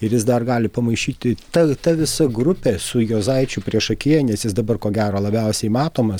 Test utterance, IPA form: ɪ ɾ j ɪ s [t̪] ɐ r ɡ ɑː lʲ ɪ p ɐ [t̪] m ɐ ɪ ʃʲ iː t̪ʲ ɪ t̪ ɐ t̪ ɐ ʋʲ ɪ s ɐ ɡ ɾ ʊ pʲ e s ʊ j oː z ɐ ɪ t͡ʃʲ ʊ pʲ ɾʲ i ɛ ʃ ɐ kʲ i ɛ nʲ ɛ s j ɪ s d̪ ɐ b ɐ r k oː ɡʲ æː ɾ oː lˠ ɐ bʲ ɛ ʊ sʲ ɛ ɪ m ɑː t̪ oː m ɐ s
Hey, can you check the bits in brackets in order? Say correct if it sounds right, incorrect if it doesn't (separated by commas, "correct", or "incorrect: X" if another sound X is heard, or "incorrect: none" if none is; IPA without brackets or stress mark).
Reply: incorrect: d̪, incorrect: none